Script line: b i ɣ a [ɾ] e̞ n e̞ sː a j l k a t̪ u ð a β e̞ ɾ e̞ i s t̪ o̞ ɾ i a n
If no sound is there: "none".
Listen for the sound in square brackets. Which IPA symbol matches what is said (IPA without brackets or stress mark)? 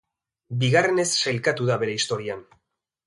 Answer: r